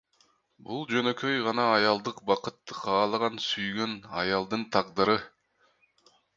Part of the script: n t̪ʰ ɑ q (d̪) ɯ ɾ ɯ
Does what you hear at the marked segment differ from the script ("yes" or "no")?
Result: no